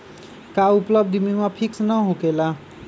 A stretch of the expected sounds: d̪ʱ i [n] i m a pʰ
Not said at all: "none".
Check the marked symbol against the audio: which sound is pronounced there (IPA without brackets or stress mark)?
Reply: m